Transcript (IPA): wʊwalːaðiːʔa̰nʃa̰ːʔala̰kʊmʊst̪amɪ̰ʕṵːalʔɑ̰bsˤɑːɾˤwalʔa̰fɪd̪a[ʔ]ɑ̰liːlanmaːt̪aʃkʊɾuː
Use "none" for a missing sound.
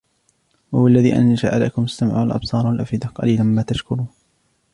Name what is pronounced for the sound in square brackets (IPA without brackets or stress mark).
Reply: q